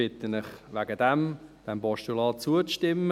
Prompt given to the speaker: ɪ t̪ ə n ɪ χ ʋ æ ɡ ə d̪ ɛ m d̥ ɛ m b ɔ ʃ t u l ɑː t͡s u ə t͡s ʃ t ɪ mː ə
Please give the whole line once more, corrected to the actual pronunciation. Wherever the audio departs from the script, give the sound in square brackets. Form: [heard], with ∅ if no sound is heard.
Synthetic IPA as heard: ɪ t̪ ə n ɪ χ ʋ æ ɡ ə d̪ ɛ m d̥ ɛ m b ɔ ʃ t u l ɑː t͡s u ə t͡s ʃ t ɪ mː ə